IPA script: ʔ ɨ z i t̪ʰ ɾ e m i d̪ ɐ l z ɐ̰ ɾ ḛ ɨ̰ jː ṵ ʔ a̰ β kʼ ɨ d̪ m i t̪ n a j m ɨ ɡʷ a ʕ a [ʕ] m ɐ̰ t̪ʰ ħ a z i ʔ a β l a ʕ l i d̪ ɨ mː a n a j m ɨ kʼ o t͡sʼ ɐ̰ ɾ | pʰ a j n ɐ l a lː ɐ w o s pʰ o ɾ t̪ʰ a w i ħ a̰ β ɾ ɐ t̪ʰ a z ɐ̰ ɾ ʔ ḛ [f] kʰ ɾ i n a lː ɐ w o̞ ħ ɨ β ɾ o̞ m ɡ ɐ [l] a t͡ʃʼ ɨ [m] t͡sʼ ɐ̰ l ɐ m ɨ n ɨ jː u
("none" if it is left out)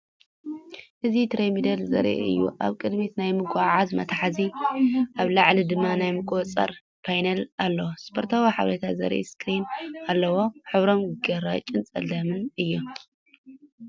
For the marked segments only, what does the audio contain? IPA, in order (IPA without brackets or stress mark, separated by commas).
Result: z, s, ɾ, n